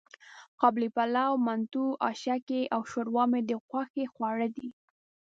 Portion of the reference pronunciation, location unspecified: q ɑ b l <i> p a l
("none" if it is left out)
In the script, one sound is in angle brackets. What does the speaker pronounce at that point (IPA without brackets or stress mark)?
i